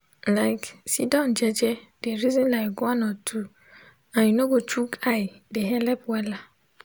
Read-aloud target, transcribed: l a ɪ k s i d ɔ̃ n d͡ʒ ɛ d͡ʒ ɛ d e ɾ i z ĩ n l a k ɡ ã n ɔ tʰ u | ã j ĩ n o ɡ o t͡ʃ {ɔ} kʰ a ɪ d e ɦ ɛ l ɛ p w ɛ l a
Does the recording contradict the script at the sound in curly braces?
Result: yes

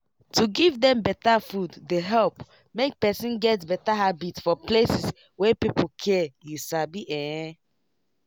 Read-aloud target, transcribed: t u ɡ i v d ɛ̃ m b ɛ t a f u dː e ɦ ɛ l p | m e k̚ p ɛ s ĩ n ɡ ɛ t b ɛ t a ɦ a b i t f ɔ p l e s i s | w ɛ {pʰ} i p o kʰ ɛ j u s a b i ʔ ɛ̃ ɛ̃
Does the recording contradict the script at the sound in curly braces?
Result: yes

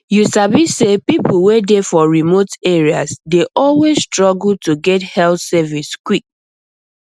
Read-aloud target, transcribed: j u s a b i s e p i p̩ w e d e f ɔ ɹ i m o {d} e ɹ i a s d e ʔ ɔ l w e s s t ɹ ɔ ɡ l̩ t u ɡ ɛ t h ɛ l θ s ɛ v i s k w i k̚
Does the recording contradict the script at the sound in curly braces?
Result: yes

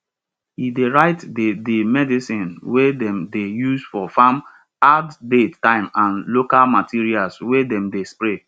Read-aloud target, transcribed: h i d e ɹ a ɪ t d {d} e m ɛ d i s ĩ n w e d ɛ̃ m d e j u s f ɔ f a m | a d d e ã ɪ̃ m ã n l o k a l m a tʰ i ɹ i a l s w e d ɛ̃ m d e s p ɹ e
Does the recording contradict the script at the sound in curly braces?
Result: no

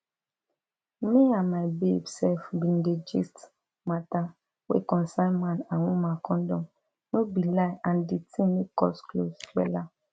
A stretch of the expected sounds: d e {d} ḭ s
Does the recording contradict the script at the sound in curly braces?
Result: yes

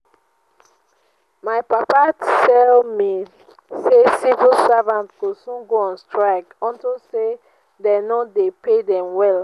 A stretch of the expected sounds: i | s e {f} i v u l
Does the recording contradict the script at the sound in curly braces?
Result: yes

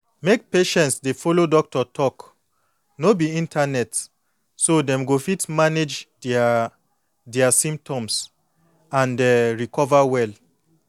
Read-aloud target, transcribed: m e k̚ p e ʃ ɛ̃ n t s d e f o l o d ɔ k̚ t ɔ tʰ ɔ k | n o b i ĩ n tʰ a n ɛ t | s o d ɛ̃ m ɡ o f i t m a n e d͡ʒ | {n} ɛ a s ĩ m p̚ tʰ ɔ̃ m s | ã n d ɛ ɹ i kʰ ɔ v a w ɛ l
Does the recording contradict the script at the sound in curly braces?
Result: yes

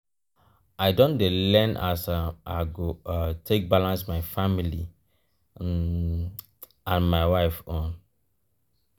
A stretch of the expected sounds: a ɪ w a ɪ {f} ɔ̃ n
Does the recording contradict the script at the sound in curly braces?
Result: no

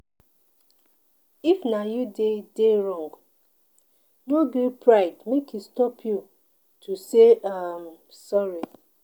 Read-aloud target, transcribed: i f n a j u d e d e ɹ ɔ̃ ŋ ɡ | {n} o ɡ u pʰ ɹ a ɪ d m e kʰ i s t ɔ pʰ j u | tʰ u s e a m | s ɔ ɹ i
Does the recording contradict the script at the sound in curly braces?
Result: no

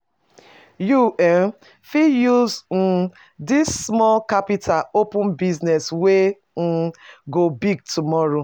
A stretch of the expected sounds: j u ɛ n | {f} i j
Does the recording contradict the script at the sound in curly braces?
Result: no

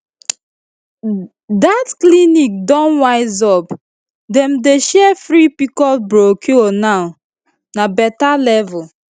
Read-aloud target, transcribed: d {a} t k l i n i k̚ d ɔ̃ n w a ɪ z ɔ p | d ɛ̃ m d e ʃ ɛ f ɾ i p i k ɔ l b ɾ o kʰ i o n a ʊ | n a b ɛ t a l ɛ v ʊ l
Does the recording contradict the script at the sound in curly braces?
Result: no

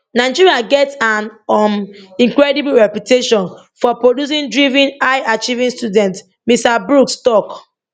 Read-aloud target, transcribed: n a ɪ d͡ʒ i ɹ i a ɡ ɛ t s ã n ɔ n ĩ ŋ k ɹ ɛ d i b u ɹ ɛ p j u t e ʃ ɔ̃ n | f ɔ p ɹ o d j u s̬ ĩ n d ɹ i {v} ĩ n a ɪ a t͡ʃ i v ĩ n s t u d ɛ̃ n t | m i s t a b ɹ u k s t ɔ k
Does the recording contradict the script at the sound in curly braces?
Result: no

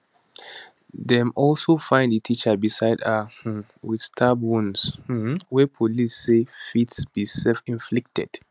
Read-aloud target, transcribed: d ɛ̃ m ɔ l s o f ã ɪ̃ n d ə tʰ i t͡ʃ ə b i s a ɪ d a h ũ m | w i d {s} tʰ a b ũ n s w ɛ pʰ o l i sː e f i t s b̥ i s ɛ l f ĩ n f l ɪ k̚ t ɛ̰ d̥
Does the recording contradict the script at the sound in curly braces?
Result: no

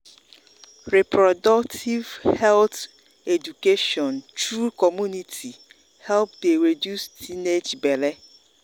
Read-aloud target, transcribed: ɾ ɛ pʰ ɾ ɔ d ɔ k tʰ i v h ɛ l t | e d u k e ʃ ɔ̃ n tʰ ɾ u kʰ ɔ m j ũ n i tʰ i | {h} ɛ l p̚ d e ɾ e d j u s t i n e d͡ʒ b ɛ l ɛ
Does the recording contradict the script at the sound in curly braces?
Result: no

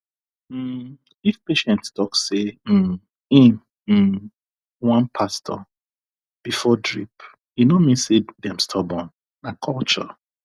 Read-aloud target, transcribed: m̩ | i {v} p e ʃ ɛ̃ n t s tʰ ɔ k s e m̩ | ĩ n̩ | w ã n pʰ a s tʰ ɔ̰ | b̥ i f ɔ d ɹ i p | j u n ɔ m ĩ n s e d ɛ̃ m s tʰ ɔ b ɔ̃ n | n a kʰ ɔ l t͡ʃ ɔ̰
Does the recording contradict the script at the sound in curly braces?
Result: yes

